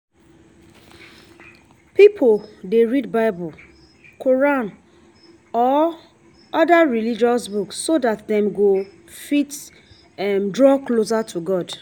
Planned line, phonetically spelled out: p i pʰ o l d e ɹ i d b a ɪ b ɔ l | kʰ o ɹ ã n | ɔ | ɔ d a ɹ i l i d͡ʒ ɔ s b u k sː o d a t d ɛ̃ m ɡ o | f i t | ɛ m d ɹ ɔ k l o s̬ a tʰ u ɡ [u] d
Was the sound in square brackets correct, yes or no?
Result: no